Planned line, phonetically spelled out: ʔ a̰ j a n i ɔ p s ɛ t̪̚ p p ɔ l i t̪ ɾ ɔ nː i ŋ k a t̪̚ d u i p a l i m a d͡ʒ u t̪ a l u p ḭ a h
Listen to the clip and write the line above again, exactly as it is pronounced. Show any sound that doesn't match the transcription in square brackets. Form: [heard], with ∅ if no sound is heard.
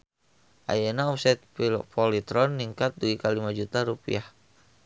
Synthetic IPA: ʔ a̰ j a n [a] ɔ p s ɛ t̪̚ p p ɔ l i t̪ ɾ ɔ nː i ŋ k a t̪̚ d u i [k] a l i m a d͡ʒ u t̪ a [ɾ] u p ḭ a h